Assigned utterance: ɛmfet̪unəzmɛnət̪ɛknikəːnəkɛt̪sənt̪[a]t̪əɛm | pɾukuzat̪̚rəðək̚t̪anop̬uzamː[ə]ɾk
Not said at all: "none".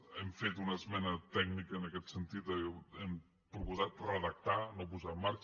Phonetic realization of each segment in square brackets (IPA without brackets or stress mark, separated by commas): i, a